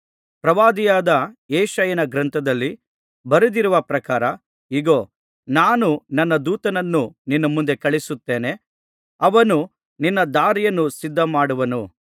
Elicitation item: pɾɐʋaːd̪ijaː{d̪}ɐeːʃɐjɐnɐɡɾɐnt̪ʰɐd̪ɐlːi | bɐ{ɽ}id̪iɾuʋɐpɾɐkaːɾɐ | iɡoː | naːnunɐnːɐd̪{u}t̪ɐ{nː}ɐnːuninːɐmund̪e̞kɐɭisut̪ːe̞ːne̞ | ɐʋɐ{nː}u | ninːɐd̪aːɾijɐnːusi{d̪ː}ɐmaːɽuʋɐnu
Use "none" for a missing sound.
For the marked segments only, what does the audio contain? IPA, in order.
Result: d̪, ɾ, uː, n, n, d̪ː

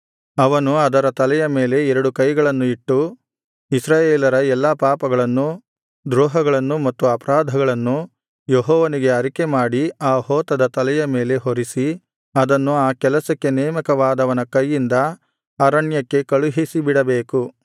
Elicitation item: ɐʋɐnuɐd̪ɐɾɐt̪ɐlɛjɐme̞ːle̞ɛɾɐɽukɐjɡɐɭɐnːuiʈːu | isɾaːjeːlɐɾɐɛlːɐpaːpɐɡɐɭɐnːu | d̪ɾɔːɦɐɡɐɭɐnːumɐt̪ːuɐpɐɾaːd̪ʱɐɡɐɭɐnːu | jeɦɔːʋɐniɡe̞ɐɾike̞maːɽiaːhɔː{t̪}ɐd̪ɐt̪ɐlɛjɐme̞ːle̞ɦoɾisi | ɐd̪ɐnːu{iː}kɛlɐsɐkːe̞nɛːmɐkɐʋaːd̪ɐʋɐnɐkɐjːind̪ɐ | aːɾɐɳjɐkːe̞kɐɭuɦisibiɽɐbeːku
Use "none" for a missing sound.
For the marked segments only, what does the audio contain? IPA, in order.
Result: t̪, aː

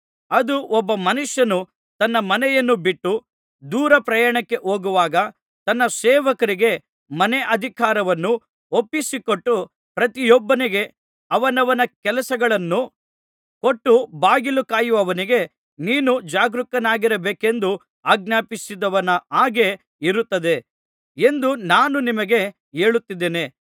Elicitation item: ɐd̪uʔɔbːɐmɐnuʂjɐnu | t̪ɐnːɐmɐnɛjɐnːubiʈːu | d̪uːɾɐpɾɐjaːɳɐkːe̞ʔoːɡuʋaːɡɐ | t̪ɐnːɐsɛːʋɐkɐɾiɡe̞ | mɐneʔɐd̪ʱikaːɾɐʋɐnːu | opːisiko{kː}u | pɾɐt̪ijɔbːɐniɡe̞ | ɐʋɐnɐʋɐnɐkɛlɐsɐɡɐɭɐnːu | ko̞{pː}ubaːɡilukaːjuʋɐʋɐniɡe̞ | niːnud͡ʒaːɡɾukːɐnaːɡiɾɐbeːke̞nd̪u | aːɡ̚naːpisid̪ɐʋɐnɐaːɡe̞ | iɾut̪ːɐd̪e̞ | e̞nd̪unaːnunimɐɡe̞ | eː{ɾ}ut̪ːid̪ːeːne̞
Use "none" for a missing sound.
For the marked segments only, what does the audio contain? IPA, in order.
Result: ʈː, ʈː, ɭ

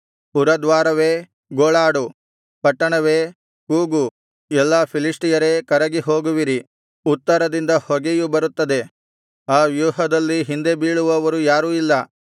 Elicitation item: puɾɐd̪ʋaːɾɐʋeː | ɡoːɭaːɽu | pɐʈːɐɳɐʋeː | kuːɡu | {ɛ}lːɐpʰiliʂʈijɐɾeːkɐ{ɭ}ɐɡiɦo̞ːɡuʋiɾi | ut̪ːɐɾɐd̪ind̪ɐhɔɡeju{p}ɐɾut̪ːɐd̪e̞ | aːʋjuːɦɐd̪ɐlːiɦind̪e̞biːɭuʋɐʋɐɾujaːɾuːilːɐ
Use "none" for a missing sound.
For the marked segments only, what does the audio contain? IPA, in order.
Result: ɛ, ɾ, b

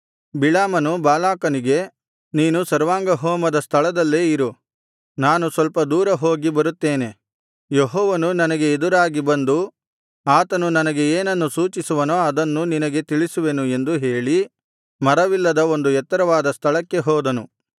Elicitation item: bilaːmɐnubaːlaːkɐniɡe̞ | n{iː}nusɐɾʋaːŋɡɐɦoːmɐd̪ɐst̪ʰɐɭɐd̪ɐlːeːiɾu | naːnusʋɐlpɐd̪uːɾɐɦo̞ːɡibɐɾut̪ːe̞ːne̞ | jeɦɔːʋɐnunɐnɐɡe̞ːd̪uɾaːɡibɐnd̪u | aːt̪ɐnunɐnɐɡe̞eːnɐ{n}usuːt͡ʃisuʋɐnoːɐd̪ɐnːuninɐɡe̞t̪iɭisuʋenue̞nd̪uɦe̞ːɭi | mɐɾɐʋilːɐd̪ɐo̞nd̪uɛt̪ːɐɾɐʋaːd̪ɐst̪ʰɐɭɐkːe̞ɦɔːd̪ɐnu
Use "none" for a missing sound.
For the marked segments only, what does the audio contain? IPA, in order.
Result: iː, nː

